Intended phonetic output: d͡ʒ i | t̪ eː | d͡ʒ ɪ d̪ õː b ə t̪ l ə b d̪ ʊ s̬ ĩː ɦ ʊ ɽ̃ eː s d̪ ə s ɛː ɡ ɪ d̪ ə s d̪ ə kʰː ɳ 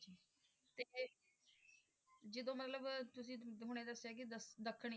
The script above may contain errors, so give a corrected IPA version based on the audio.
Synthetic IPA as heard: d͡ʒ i | t̪ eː | d͡ʒ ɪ d̪ õː m ə t̪ l ə b t̪ ʊ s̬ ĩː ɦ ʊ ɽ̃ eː d̪ ə s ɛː k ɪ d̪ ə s d̪ ə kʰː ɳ